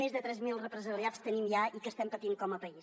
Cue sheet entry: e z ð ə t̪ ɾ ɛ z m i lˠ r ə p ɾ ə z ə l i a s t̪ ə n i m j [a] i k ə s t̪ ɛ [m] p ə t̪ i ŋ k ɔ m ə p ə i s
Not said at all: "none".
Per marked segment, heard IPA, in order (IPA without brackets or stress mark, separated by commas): a, m